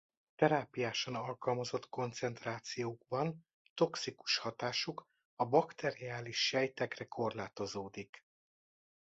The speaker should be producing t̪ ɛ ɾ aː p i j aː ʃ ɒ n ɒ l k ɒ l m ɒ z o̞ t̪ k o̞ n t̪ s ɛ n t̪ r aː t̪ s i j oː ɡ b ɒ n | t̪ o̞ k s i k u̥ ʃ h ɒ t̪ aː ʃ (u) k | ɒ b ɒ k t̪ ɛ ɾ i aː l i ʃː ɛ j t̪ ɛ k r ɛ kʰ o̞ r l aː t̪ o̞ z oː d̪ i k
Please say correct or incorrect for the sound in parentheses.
correct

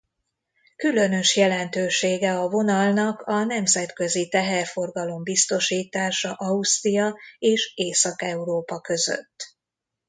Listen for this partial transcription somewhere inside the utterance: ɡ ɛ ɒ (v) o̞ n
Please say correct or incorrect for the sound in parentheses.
correct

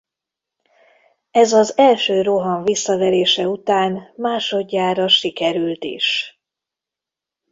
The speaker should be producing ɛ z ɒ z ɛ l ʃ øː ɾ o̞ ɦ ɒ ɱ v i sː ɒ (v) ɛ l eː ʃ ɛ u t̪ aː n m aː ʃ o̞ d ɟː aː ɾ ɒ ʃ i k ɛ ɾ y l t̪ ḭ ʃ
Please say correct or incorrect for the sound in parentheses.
correct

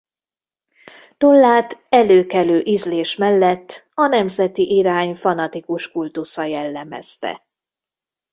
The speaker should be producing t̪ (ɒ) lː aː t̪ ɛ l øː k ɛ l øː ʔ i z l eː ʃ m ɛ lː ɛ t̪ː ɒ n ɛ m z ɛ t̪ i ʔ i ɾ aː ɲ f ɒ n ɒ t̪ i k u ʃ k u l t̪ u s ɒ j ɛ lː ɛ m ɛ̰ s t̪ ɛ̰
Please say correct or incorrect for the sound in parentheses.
incorrect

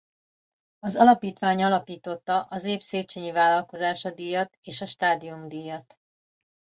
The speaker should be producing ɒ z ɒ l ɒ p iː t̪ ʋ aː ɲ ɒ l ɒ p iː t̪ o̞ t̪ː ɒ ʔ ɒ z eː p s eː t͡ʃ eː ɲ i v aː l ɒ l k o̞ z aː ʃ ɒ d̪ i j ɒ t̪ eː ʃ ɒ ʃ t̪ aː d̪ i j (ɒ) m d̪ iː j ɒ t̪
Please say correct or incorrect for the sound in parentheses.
incorrect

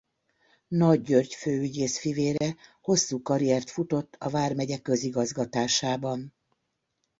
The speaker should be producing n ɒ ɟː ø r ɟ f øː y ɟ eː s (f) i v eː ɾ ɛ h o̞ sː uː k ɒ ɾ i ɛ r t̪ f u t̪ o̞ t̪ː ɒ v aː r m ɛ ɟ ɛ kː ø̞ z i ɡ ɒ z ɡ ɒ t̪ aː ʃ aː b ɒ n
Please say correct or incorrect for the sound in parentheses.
correct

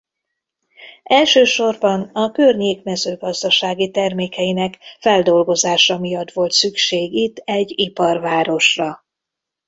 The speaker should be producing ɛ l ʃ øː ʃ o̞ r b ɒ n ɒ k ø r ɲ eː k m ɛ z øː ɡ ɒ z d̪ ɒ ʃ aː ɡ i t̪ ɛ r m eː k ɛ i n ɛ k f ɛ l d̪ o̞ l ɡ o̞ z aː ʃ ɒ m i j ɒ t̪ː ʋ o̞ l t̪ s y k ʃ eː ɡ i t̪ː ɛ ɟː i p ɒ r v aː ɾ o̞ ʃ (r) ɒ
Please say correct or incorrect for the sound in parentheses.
correct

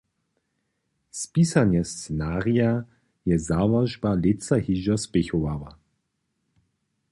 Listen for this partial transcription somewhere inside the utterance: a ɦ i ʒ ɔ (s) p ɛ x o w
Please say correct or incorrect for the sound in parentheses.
correct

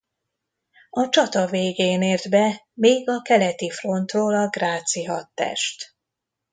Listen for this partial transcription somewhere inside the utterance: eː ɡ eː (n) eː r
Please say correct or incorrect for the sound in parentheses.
correct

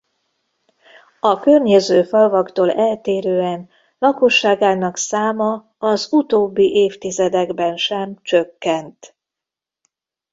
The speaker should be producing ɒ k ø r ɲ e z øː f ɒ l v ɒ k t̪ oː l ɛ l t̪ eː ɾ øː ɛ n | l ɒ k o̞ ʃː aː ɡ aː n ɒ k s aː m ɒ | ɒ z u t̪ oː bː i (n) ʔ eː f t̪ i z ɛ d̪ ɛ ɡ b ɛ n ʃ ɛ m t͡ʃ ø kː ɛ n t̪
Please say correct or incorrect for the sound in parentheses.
incorrect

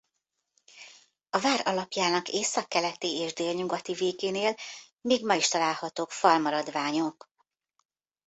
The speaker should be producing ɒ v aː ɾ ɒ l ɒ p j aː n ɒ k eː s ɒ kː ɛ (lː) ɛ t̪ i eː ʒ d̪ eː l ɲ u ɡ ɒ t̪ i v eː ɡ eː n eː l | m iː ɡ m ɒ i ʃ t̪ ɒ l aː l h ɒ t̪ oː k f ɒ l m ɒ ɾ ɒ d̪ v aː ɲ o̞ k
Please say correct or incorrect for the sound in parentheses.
incorrect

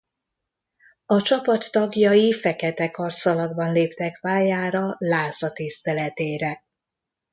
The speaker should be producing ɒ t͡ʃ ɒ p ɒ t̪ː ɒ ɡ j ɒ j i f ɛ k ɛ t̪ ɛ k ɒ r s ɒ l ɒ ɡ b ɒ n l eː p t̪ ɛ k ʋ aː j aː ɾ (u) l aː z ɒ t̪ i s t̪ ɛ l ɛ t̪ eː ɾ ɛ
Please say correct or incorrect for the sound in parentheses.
incorrect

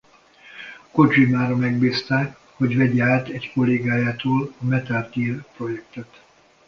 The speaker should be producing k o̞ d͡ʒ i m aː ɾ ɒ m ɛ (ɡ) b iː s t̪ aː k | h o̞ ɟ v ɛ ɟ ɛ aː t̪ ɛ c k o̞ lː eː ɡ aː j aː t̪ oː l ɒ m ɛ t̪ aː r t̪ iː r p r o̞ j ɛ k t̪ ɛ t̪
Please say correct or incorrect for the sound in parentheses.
correct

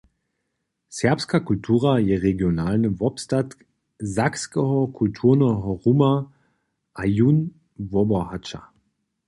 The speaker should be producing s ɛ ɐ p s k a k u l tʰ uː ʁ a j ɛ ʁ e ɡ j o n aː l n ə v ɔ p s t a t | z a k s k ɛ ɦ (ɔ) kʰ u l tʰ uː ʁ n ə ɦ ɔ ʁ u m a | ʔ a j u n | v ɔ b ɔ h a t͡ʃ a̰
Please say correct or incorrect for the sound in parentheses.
correct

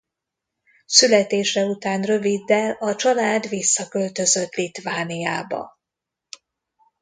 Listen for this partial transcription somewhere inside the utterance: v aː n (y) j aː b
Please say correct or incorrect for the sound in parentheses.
incorrect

